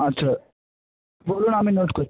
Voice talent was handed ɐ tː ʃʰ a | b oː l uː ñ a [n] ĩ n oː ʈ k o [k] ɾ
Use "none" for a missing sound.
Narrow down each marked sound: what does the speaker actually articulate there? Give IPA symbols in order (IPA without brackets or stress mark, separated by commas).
m, none